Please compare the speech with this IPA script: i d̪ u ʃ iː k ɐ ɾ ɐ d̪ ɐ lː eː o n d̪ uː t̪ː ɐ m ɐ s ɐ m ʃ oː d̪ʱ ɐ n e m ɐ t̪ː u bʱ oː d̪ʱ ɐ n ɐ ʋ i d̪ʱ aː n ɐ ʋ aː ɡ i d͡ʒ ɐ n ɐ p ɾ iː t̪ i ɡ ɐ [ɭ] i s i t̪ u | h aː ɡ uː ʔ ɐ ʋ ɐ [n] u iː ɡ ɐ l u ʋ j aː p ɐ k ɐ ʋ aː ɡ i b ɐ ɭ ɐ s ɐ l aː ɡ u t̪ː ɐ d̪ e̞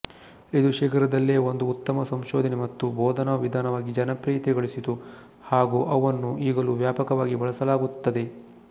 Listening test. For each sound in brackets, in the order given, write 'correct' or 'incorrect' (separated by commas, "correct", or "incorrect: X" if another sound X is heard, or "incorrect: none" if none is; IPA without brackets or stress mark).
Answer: correct, incorrect: nː